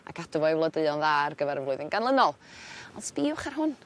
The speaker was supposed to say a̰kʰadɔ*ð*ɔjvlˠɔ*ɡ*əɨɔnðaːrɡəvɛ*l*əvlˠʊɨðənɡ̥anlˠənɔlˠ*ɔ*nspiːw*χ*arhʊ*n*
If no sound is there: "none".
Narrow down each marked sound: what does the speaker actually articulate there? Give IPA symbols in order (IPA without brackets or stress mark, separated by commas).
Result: v, d, ɾ, ɔ, χ, n